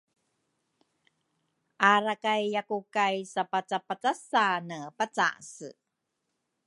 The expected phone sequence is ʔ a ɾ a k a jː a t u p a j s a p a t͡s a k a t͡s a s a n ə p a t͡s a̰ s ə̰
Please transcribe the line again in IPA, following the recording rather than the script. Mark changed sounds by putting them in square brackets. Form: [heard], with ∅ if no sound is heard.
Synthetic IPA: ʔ a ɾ a k a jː a [k] u [k] a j s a p a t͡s a [p] a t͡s a s a n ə p a t͡s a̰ s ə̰